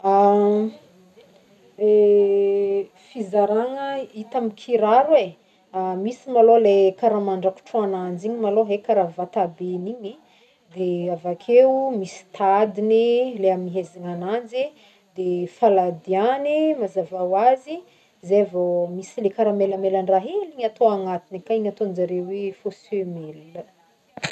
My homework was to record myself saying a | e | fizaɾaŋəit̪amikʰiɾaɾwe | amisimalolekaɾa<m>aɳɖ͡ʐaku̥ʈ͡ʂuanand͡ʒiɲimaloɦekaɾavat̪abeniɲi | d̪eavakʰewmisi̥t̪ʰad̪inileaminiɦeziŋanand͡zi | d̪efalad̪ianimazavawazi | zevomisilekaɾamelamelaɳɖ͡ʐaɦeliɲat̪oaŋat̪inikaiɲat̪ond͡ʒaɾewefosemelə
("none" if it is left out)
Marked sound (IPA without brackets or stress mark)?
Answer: m